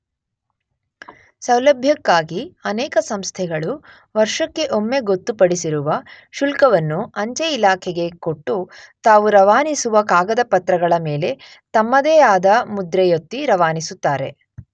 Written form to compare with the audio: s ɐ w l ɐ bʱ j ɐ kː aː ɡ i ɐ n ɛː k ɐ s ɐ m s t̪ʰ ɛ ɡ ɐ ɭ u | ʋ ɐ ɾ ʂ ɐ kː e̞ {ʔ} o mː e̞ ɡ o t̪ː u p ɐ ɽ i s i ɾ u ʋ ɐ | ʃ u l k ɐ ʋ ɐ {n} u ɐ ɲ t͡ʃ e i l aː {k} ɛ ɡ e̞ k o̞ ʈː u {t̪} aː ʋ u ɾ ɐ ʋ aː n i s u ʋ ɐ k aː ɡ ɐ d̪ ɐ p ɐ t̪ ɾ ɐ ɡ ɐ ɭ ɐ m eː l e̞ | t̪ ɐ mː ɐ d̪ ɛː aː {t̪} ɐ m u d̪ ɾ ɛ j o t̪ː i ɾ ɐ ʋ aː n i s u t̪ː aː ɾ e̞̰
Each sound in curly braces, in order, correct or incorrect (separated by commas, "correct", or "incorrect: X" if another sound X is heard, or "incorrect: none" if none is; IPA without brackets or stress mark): correct, incorrect: nː, incorrect: kʰ, correct, incorrect: d̪